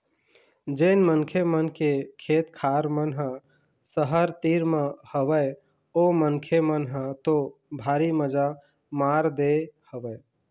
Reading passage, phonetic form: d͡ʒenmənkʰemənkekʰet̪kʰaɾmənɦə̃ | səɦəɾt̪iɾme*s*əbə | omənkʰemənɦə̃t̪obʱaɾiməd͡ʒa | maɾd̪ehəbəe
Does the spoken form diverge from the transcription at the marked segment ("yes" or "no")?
yes